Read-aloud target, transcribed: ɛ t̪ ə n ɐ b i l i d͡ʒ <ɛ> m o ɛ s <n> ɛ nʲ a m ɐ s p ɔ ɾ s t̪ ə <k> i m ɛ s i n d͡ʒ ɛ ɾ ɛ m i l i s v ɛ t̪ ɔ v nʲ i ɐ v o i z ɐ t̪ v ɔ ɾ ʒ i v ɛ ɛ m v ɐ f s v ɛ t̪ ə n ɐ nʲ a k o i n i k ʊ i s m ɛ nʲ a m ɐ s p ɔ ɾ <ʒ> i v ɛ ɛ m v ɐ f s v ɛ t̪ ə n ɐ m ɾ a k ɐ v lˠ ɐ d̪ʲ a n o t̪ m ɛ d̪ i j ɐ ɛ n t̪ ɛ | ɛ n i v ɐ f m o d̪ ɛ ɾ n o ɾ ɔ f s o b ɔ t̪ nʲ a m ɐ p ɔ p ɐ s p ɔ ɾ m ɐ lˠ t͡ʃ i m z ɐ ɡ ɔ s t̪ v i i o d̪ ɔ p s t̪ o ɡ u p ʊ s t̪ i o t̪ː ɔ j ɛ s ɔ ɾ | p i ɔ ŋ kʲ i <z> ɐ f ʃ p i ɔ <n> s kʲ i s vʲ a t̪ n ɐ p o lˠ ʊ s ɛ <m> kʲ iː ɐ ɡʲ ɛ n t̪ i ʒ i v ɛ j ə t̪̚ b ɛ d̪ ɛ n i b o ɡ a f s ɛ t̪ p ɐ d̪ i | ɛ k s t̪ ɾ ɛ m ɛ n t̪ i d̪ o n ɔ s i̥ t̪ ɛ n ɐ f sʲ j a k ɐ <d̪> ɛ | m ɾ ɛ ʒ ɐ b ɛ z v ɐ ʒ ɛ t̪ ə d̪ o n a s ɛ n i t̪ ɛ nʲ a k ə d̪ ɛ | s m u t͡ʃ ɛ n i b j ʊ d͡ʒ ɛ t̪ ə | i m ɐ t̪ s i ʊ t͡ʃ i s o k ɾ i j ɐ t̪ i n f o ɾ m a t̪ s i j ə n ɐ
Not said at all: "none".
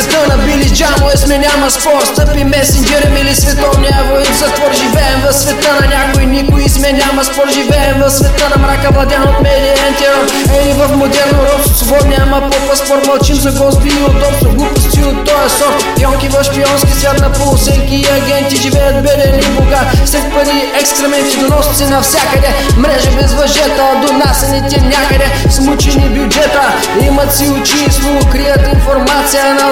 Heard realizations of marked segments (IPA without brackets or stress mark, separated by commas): a, m, p, ʒ, v, n, ŋ, d̪